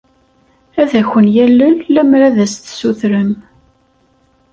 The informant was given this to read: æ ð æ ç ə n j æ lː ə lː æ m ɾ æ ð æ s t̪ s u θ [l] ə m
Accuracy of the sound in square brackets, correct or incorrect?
incorrect